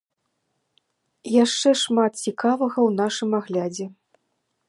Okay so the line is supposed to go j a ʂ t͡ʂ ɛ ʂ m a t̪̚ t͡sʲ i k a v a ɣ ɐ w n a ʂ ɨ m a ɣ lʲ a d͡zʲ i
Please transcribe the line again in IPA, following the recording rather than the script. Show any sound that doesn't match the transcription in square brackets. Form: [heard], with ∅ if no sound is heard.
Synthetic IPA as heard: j a ʂ t͡ʂ ɛ ʂ m a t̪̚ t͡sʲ i k a v [ɐ] ɣ ɐ w n a ʂ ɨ m a ɣ lʲ a d͡zʲ [ɛ]